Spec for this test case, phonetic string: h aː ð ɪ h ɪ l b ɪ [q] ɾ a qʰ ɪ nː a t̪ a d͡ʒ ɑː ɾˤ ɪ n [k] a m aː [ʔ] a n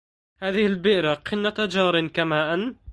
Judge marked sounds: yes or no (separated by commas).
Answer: no, yes, yes